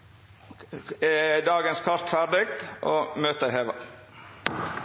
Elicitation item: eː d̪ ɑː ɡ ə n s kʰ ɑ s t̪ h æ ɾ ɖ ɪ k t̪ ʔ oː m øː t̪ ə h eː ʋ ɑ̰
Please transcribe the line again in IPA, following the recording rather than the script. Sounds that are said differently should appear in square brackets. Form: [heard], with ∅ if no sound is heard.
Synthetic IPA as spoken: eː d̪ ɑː ɡ ə n s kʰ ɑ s t̪ [f] æ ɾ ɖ ɪ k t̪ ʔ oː m øː t̪ ə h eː ʋ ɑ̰